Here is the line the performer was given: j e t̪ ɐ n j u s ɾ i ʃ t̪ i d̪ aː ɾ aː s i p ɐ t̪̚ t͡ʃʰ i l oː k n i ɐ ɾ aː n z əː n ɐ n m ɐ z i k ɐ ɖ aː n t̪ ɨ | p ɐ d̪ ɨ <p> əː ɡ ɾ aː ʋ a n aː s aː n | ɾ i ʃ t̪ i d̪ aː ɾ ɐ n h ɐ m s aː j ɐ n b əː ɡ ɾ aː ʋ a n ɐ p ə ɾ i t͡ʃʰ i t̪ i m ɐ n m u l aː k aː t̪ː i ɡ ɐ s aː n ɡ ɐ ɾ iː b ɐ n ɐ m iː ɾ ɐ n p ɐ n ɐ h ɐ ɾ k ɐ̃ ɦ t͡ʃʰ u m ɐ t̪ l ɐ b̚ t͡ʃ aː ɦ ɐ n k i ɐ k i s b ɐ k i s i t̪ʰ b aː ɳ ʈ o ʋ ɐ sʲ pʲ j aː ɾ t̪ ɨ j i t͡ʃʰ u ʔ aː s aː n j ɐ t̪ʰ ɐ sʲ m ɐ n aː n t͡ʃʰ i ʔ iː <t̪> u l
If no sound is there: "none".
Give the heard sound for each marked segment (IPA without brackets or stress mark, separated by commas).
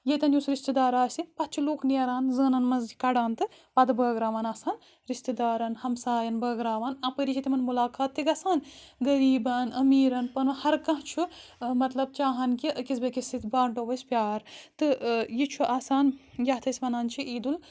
b, d̪